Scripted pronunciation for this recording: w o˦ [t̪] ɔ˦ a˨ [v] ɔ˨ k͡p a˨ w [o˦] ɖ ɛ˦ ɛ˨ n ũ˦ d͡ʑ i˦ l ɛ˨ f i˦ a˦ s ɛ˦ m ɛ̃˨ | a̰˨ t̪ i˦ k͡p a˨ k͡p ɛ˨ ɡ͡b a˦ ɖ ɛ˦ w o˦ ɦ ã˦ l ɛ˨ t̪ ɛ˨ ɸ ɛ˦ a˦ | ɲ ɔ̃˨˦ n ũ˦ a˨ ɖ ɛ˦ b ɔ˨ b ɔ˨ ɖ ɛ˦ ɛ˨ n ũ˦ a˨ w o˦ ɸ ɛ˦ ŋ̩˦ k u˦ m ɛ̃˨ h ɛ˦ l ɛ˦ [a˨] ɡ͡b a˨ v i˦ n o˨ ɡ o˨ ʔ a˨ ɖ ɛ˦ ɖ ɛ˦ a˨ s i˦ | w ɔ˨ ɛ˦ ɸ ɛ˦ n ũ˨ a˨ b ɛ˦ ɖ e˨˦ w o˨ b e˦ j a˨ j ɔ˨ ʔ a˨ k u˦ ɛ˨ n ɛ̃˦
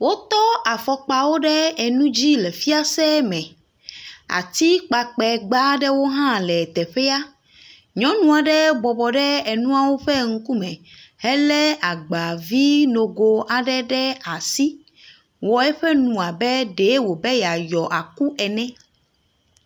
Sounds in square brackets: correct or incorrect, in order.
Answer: correct, incorrect: f, correct, correct

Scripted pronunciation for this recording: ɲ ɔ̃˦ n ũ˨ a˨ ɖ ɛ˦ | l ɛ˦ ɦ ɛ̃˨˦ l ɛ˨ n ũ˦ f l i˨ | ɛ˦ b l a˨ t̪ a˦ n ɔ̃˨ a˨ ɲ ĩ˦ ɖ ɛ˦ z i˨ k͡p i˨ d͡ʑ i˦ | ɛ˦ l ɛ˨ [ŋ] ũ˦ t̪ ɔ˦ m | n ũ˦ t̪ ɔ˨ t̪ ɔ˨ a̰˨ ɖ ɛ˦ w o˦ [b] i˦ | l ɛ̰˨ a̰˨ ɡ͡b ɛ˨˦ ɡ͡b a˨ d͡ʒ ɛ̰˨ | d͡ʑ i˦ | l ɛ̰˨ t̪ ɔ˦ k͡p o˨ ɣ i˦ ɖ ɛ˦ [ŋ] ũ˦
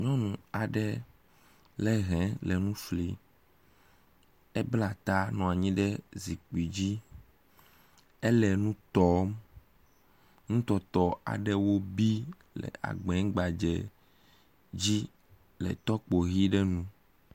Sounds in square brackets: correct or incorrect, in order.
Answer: incorrect: n, correct, incorrect: n

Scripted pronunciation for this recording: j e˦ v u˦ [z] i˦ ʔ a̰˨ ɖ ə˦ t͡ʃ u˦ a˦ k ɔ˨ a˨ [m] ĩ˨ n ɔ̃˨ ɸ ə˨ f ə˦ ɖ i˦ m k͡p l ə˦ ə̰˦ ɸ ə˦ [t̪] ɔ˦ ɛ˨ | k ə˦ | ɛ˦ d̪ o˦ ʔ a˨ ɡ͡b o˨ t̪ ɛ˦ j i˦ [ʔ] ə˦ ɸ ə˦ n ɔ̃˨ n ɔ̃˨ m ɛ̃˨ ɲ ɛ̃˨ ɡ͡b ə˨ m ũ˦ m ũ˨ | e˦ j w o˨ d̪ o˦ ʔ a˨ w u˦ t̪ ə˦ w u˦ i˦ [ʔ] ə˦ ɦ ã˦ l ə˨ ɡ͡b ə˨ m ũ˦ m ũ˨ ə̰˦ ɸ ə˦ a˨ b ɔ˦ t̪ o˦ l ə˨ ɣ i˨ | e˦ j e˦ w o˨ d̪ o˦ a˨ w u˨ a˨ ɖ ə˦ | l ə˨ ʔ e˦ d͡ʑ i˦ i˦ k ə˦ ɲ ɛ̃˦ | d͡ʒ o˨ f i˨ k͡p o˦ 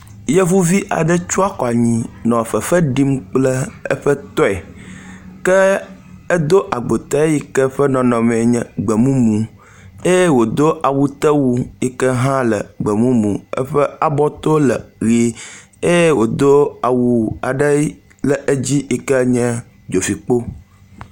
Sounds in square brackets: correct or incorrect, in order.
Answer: incorrect: v, incorrect: ɲ, correct, incorrect: k, incorrect: k

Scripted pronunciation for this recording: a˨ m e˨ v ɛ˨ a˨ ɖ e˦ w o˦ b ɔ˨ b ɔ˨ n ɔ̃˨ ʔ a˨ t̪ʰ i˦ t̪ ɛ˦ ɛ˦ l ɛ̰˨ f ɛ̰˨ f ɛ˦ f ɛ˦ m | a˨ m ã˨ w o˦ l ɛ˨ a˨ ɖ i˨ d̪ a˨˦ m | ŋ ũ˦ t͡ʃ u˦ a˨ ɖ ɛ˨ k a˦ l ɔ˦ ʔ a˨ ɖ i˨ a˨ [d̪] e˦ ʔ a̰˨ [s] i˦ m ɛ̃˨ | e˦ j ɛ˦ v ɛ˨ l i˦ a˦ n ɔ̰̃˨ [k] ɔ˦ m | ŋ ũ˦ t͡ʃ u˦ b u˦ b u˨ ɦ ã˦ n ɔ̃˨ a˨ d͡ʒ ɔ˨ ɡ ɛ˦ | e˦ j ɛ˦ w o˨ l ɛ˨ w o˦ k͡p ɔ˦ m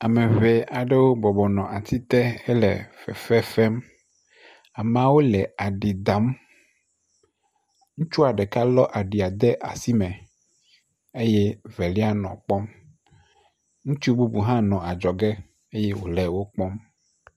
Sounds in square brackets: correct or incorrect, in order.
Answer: correct, correct, incorrect: k͡p

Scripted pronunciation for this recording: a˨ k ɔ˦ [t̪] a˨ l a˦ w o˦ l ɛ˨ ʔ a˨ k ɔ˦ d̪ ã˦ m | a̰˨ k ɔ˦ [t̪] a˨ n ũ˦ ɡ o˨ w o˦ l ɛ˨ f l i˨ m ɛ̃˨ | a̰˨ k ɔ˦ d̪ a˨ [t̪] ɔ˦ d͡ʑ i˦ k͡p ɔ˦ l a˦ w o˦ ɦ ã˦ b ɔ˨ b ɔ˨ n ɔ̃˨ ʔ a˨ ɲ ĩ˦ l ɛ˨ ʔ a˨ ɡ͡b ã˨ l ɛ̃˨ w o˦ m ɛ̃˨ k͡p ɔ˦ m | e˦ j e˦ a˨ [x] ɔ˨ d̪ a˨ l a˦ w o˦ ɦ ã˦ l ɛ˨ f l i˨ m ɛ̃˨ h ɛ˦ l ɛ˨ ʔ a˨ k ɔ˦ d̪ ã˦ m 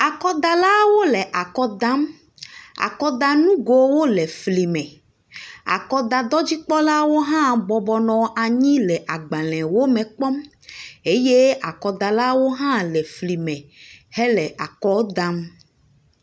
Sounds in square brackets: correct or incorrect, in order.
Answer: incorrect: d̪, incorrect: d̪, incorrect: d̪, incorrect: k

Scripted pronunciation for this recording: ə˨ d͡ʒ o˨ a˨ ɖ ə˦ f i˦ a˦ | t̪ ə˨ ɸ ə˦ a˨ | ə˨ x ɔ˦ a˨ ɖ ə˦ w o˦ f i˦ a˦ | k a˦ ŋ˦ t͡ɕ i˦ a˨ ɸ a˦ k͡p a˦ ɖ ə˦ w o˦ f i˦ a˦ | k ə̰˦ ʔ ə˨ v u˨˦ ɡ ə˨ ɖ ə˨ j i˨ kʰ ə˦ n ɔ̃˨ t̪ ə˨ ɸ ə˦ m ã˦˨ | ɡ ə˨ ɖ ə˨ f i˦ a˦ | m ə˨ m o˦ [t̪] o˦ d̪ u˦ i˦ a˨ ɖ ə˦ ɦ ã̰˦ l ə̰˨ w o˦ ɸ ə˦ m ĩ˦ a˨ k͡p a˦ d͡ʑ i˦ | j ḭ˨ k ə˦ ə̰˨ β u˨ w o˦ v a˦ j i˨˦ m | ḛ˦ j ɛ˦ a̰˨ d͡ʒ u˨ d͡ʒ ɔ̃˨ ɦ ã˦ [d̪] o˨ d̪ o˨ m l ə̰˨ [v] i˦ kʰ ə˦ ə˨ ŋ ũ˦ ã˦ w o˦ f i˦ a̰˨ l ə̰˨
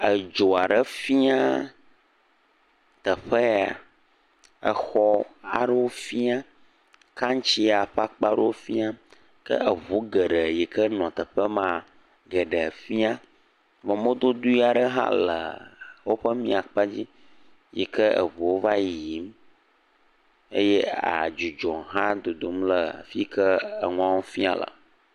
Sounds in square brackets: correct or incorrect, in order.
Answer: incorrect: d̪, correct, incorrect: f

